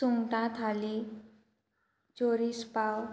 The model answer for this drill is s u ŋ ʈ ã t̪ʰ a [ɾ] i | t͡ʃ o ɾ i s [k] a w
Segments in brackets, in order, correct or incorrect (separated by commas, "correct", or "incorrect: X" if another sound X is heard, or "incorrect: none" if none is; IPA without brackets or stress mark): incorrect: l, incorrect: p